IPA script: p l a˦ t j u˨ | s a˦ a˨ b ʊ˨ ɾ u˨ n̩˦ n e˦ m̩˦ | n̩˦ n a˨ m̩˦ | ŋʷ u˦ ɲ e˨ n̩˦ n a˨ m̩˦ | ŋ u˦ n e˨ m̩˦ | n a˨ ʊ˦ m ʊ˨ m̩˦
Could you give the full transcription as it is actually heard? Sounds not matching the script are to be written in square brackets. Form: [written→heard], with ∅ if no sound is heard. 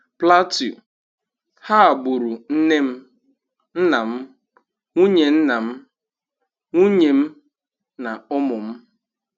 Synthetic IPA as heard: p l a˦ t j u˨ | [s→h] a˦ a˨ b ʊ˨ ɾ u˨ n̩˦ n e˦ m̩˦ | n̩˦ n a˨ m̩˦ | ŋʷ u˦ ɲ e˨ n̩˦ n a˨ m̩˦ | ŋ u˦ [n→ɲ] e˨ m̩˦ | n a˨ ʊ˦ m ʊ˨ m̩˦

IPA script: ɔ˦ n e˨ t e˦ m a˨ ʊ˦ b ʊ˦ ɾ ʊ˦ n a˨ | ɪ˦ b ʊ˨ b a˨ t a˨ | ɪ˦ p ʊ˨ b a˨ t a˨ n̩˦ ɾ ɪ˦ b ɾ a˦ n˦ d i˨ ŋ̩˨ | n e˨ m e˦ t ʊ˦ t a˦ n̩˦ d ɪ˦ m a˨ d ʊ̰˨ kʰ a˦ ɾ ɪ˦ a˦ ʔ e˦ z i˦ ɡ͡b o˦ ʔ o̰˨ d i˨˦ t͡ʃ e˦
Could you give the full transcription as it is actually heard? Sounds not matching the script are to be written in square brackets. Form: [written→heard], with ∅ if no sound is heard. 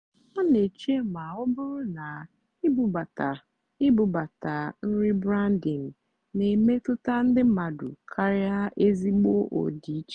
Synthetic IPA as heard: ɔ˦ n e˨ [t→t͡ʃ] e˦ m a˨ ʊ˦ b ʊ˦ ɾ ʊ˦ n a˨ | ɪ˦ b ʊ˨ b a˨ t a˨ | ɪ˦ [p→b] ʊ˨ b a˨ t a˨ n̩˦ ɾ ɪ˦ b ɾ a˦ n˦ d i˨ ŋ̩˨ | n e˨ m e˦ t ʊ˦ t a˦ n̩˦ d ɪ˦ m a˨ d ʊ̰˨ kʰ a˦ ɾ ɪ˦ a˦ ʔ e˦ z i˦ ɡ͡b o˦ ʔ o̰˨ d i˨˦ t͡ʃ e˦

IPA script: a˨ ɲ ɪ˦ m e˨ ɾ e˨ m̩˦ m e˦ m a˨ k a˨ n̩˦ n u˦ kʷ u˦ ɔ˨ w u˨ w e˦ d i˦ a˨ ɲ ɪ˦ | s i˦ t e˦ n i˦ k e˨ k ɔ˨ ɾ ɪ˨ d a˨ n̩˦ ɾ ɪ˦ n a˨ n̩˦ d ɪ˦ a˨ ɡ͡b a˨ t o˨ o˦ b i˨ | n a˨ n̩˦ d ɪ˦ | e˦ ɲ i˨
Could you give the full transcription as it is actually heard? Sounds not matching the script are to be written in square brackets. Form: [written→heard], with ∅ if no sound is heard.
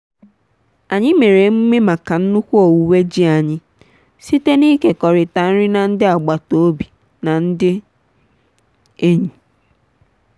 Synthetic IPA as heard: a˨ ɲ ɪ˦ m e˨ ɾ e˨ m̩˦ m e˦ m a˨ k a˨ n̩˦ n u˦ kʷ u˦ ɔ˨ w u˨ w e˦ [d→d͡ʒ] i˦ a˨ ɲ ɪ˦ | s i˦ t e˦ n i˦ k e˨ k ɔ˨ ɾ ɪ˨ [d→t] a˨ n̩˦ ɾ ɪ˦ n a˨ n̩˦ d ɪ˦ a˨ ɡ͡b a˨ t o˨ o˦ b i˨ | n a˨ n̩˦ d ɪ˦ | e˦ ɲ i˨

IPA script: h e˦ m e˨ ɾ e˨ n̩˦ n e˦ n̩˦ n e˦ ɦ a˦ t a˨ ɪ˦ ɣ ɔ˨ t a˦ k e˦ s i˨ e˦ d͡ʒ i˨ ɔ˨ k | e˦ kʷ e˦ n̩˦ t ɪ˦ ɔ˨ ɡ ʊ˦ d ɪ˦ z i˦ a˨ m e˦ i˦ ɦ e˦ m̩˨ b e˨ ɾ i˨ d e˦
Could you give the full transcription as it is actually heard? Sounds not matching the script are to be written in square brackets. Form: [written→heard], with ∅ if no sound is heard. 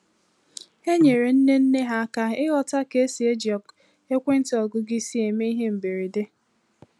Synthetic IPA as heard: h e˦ [m→ɲ] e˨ ɾ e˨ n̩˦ n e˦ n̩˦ n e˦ ɦ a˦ [t→k] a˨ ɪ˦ ɣ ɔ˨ t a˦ k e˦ s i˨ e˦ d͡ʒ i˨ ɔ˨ k | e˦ kʷ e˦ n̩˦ t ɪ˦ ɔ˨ ɡ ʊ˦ [d→ɡ] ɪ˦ [z→s] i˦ [a˨→e˨] m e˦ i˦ ɦ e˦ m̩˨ b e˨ ɾ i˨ d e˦

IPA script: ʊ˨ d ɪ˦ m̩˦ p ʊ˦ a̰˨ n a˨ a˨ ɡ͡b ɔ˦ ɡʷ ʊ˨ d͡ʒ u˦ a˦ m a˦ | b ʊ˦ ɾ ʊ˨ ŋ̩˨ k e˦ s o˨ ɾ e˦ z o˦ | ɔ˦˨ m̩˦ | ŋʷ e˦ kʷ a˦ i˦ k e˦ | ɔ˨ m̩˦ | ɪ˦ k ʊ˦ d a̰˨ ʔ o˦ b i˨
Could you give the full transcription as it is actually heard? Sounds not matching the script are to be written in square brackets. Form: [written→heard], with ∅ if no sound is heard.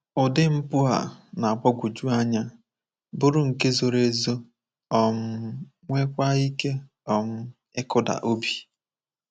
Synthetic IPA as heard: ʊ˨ d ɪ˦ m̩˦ p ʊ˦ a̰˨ n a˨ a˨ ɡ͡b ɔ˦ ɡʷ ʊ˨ d͡ʒ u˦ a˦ [m→ɲ] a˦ | b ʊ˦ ɾ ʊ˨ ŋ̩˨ k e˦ [s→z] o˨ ɾ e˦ z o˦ | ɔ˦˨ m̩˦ | ŋʷ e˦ kʷ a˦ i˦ k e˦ | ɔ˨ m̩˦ | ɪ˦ k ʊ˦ d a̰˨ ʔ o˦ b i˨

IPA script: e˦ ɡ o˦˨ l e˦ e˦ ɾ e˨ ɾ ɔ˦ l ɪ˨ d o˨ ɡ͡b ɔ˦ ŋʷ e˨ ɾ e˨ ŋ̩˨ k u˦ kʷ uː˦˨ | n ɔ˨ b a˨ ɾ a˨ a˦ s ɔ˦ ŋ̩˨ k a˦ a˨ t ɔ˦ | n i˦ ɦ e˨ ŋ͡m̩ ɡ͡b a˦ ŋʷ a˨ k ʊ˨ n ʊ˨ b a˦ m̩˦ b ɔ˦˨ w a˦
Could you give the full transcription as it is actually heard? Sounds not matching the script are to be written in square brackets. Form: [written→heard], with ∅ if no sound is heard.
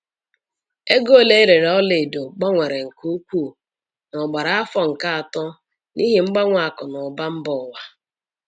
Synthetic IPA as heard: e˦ ɡ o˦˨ l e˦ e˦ ɾ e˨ ɾ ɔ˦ l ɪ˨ d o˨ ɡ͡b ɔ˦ ŋʷ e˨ ɾ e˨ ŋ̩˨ k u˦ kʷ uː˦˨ | n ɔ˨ [b→ɡ͡b] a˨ ɾ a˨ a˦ [s→f] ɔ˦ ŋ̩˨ k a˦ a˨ t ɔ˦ | n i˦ ɦ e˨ ŋ͡m̩ ɡ͡b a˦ ŋʷ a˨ k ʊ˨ n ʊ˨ b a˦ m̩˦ b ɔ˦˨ w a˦

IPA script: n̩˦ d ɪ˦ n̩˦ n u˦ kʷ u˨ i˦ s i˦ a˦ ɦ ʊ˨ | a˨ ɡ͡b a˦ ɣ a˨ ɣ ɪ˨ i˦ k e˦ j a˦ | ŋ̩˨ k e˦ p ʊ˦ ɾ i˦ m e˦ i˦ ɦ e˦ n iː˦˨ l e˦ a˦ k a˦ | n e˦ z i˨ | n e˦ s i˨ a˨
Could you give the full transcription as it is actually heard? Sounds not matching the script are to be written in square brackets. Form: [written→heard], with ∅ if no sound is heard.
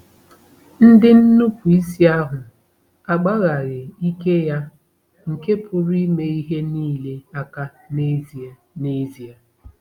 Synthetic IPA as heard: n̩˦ d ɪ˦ n̩˦ n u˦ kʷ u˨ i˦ s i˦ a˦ ɦ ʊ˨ | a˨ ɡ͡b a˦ ɣ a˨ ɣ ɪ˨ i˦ k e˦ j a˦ | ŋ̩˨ k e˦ p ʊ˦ ɾ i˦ m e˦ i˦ ɦ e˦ n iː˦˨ l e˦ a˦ k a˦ | n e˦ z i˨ | n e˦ [s→z] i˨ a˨

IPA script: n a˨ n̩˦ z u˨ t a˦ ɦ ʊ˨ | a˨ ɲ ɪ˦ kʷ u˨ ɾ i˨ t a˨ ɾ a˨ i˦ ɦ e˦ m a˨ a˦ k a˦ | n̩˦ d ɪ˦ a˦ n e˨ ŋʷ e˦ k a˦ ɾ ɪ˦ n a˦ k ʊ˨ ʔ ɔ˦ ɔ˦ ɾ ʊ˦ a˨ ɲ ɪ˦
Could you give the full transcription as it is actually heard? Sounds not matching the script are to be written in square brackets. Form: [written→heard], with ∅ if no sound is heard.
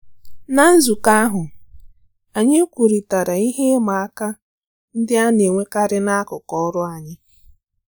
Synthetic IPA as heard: n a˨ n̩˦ z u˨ [t→k] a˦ ɦ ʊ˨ | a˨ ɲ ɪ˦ kʷ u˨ ɾ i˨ t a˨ ɾ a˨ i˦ ɦ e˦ m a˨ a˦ k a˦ | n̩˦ d ɪ˦ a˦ n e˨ ŋʷ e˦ k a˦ ɾ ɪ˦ n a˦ k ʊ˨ [ʔ→k] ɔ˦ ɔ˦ ɾ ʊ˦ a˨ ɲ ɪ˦

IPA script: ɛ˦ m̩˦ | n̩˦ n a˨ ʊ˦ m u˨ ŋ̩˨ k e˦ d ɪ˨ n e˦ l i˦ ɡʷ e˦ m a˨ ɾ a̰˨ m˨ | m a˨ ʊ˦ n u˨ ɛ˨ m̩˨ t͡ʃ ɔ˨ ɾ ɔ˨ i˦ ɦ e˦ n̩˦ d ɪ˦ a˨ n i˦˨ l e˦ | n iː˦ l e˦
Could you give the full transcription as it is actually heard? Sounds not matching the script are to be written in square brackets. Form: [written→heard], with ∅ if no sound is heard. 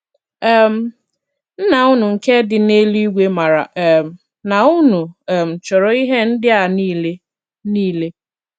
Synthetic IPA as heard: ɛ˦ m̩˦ | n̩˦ n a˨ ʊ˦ [m→n] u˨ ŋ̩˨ k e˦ d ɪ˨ n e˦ l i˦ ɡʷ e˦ m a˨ ɾ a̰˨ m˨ | [m→n] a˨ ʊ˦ n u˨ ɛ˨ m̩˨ t͡ʃ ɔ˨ ɾ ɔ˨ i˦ ɦ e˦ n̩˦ d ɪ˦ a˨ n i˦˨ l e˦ | n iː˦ l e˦

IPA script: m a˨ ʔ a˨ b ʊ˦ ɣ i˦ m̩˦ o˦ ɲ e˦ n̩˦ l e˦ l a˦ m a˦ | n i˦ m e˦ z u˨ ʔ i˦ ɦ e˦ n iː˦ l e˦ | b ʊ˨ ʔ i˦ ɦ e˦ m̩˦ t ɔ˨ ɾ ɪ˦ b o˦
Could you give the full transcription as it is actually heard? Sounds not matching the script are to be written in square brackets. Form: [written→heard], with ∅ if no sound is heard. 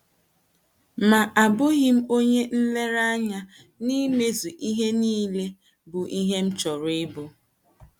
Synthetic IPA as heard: m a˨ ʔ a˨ b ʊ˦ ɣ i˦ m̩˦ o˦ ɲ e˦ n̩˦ l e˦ [l→ɾ] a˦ [m→ɲ] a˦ | n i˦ m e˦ z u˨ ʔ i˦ ɦ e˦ n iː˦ l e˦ | b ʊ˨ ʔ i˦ ɦ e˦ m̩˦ [t→t͡ʃ] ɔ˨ ɾ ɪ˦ b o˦

